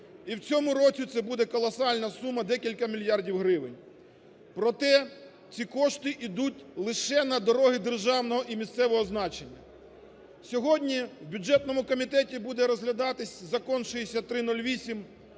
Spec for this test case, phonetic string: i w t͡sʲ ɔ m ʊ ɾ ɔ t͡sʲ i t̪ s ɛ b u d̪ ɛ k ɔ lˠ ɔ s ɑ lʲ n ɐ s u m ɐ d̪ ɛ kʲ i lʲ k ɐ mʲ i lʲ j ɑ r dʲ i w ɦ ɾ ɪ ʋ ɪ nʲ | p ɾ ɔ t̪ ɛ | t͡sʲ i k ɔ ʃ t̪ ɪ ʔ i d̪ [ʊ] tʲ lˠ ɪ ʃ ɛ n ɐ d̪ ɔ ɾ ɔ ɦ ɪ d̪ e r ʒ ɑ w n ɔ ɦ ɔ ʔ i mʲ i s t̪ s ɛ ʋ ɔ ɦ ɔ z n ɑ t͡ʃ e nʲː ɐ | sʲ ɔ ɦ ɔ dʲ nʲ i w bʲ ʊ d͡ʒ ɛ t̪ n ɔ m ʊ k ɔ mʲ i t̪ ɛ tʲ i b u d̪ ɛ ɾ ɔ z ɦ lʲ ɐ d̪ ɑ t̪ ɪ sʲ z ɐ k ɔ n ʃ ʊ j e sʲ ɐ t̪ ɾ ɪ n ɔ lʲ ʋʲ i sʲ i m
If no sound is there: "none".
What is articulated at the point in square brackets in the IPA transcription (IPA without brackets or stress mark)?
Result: u